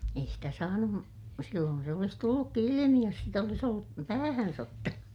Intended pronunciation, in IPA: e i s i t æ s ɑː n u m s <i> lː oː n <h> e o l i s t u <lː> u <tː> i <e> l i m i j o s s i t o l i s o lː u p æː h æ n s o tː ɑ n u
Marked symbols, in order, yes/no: yes, no, yes, no, no

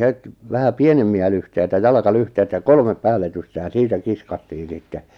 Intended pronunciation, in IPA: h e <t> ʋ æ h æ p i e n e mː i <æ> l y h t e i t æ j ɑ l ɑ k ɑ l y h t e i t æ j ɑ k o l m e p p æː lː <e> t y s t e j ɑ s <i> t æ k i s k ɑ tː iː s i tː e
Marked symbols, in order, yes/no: yes, yes, yes, no

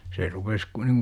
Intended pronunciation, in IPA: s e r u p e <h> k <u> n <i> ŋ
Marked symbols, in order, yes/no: no, yes, yes

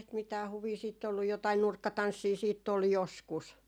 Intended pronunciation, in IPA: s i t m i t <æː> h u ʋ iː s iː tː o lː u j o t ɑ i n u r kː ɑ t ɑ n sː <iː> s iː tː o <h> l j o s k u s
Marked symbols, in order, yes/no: yes, yes, no

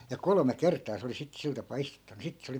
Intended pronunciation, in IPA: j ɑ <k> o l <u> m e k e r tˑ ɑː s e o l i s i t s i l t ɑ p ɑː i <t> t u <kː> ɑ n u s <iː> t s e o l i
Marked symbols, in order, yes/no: yes, no, no, no, no

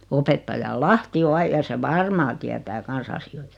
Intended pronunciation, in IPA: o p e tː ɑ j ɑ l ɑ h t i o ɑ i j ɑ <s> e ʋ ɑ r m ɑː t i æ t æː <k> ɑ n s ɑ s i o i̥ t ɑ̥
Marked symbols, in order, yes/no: yes, yes

